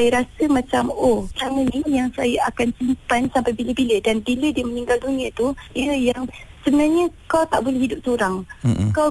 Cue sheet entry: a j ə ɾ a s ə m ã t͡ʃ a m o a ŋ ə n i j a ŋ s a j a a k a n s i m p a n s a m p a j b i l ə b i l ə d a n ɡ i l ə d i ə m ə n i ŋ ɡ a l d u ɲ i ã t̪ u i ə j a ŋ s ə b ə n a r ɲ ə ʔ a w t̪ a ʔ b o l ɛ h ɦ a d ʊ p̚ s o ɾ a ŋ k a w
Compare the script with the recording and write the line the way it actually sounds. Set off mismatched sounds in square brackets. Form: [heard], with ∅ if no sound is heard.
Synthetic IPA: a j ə ɾ a s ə m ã t͡ʃ a m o a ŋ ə n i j a ŋ s a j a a k a n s i m p a n s a m p a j b i l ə b i l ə d a n [b] i l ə d i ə m ə n i ŋ ɡ a l d u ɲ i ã t̪ u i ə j a ŋ s ə b ə n a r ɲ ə [k] a w t̪ a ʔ b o l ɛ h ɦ [i] d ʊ p̚ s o ɾ a ŋ k a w